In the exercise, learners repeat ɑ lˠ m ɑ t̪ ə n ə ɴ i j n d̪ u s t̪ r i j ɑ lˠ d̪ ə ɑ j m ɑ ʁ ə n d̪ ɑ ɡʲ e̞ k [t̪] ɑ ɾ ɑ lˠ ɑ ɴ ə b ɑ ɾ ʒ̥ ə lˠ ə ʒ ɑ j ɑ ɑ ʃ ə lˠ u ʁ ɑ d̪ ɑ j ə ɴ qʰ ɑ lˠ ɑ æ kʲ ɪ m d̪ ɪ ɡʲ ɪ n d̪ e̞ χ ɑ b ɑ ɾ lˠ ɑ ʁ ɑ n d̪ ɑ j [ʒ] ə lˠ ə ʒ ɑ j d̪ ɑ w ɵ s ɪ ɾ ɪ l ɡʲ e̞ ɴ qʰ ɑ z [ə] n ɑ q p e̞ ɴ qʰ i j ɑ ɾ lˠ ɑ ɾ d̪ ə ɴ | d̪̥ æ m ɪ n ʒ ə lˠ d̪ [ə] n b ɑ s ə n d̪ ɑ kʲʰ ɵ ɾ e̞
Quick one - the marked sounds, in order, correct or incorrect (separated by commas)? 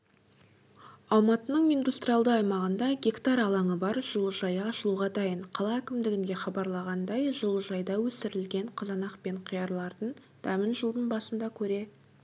correct, correct, incorrect, correct